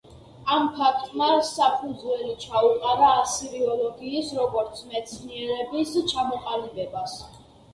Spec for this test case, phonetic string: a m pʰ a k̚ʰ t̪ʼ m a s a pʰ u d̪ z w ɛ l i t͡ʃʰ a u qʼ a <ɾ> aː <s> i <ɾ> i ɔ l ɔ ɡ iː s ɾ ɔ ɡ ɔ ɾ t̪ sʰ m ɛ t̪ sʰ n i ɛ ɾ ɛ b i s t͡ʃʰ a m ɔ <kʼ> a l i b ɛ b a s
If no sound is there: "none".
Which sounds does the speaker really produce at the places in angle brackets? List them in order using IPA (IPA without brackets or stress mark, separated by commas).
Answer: ɾ, s, ɾ, qʼ